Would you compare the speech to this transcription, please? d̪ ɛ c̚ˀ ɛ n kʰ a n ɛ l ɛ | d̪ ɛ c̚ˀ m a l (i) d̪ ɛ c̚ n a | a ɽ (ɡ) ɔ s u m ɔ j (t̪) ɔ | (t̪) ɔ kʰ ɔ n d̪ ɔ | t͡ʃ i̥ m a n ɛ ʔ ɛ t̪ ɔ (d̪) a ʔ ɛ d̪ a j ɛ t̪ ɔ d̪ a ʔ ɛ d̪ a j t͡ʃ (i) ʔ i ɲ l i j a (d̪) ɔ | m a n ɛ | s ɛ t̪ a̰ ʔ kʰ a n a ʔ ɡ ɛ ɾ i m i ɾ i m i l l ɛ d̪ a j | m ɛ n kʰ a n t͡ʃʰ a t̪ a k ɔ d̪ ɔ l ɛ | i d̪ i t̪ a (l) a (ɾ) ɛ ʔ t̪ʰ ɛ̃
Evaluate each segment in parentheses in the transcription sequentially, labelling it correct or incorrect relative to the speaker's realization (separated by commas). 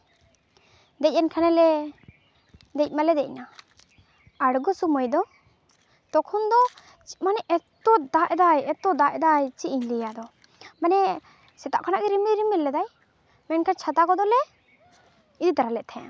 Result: incorrect, correct, incorrect, correct, correct, correct, correct, incorrect, incorrect